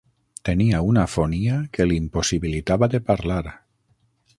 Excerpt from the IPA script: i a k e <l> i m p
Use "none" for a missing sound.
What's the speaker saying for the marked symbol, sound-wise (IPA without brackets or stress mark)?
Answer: l